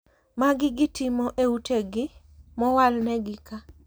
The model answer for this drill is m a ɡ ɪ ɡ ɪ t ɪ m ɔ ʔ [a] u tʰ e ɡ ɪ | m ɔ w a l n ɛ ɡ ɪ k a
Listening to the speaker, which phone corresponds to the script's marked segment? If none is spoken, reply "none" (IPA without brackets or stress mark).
e